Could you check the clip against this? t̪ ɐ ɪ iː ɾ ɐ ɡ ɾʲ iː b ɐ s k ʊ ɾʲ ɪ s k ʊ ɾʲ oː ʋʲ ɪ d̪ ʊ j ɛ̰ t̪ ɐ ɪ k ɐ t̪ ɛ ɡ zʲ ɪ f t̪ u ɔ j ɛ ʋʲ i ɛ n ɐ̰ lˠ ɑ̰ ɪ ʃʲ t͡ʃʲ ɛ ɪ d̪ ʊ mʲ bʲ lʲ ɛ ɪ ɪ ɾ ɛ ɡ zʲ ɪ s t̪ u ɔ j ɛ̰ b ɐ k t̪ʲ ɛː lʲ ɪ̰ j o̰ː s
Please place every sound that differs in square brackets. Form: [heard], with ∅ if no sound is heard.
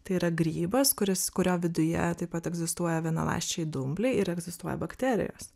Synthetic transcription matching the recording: t̪ ɐ ɪ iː ɾ ɐ ɡ ɾʲ iː b ɐ s k ʊ ɾʲ ɪ s k ʊ ɾʲ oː ʋʲ ɪ d̪ ʊ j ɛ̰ t̪ ɐ ɪ [p] ɐ t̪ ɛ ɡ zʲ ɪ [s] t̪ u ɔ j ɛ ʋʲ i ɛ n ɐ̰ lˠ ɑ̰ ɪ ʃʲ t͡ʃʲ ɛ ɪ d̪ ʊ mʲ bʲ lʲ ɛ ɪ ɪ ɾ ɛ ɡ zʲ ɪ s t̪ u ɔ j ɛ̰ b ɐ k t̪ʲ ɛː [ɾʲ] ɪ̰ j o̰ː s